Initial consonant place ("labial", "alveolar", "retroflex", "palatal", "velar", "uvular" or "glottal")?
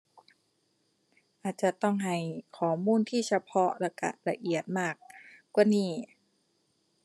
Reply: glottal